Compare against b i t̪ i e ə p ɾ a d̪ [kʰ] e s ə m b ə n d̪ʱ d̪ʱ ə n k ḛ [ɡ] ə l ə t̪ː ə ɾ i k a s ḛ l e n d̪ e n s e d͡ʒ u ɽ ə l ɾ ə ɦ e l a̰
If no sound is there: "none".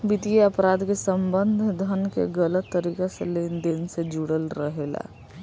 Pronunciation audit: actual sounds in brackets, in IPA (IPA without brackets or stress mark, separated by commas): k, ɡ